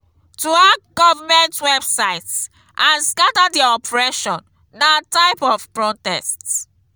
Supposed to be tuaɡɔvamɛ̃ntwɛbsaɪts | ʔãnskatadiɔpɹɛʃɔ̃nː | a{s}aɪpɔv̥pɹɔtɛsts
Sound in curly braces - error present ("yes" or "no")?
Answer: yes